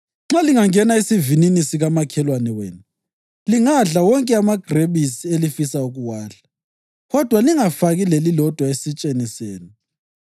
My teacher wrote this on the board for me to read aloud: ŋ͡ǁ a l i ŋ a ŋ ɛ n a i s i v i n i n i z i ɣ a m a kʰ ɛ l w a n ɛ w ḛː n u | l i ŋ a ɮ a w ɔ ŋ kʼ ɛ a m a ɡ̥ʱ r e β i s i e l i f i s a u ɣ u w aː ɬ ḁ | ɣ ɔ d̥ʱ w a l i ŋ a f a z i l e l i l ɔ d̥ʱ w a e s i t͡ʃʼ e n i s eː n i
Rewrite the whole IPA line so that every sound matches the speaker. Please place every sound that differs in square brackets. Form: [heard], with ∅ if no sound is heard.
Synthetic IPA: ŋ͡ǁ a l i ŋ a ŋ ɛ n a i s i v i n i n i [s] i ɣ a m a kʰ ɛ l w a n ɛ w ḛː n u | l i ŋ a ɮ a w ɔ ŋ kʼ ɛ a m a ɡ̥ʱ r e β i s i e l i f i s a u ɣ u w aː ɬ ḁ | ɣ ɔ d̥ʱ w a l i ŋ a f a [ɣ] i l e l i l ɔ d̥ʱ w a e s i t͡ʃʼ e n i s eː n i